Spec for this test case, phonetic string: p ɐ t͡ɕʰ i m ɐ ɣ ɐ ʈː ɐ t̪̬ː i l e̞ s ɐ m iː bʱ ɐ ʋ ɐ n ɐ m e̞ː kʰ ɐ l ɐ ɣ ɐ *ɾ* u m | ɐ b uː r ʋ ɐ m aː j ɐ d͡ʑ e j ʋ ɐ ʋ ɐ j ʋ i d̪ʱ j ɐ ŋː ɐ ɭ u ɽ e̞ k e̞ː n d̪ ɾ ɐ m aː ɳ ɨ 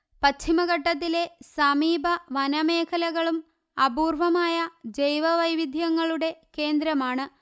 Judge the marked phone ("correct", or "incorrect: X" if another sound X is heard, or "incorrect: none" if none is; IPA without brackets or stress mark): incorrect: ɭ